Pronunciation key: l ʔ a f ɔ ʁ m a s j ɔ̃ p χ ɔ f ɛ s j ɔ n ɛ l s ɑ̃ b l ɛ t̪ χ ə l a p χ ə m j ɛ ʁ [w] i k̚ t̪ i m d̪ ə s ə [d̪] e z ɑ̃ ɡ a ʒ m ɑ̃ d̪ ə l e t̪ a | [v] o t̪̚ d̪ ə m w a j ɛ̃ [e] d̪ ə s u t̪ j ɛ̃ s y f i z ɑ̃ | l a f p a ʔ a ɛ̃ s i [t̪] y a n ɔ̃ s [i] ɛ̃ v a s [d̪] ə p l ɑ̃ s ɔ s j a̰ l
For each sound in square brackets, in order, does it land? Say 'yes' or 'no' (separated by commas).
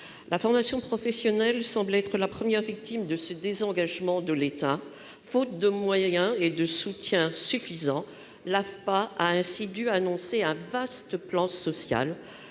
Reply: no, yes, no, yes, no, no, no